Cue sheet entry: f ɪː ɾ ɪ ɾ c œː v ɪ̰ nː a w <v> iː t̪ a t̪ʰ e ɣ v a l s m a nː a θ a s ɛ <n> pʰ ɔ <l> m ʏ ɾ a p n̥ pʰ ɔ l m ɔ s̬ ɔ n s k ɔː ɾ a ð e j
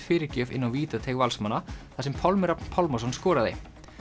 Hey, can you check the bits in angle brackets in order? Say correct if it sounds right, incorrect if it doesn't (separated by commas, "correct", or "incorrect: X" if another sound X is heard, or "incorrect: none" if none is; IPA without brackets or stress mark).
correct, incorrect: m, correct